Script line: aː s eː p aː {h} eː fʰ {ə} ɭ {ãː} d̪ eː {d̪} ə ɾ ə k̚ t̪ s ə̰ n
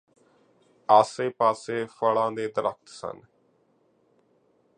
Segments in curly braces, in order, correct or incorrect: incorrect: s, correct, correct, correct

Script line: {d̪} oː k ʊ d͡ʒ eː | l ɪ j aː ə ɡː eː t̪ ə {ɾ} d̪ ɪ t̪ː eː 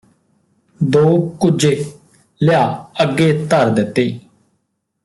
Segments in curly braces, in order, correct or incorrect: correct, correct

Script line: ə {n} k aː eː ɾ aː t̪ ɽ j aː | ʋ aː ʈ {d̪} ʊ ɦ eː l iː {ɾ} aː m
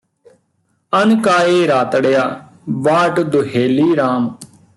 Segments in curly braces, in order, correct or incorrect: correct, correct, correct

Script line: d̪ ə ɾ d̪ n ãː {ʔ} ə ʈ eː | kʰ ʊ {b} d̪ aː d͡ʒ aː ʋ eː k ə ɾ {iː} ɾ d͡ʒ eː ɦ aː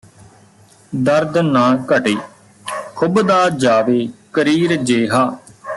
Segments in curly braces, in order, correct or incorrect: incorrect: k, correct, correct

